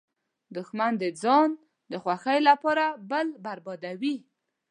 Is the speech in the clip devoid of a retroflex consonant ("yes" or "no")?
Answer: yes